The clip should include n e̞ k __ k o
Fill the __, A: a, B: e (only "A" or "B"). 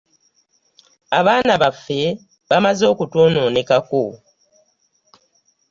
A